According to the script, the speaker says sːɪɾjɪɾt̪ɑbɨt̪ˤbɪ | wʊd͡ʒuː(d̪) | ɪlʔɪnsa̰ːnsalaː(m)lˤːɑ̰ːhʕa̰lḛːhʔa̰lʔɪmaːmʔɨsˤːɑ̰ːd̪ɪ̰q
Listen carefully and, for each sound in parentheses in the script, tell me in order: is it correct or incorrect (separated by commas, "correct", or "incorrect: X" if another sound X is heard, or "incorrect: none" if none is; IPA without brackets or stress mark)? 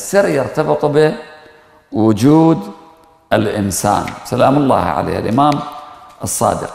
correct, correct